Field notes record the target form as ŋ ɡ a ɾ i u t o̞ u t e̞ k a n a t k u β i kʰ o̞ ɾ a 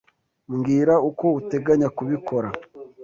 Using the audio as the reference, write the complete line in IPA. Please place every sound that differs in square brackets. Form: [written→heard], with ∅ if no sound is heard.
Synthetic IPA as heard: ŋ ɡ [a→i] ɾ [i→a] u [t→k] o̞ u t e̞ [k→ɡ] a [n→ɲ] a [t→∅] k u β i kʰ o̞ ɾ a